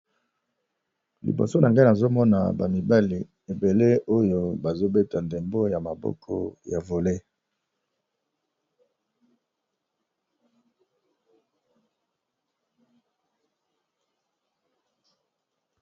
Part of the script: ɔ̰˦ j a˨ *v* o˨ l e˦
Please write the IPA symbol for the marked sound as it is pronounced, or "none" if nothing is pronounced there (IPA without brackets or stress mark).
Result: v